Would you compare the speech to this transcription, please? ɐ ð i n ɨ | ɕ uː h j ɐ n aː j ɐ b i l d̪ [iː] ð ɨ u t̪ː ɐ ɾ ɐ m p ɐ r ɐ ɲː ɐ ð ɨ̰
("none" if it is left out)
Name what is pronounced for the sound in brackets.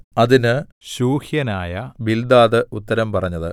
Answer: aː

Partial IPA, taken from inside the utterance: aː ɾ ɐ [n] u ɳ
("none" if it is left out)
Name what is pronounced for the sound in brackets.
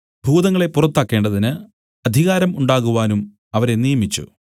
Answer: m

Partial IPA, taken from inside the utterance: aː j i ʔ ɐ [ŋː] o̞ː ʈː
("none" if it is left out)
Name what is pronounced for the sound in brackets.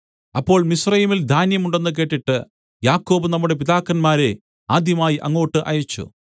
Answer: ŋː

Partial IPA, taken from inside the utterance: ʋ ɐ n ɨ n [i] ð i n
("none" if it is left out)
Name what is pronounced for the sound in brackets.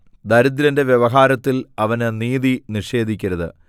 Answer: iː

